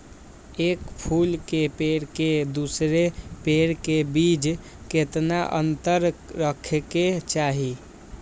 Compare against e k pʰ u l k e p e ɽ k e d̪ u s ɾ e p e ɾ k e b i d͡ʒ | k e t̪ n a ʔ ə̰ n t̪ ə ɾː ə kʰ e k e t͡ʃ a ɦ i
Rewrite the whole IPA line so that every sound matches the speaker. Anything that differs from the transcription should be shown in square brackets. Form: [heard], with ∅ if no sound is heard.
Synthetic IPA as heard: e k pʰ u l k e p e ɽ k e d̪ u s ɾ e p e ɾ k e b i d͡ʒ | k e t̪ n a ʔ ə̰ n t̪ ə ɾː ə kʰ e k e t͡ʃ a ɦ i